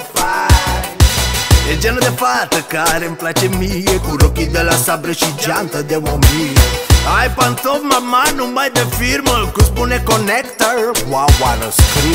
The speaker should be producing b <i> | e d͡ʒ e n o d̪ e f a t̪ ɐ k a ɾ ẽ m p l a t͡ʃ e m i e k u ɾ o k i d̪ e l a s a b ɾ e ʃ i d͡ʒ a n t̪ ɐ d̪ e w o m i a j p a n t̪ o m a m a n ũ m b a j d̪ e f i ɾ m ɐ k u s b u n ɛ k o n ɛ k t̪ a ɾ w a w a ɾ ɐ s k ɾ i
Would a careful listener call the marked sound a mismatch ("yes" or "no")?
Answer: yes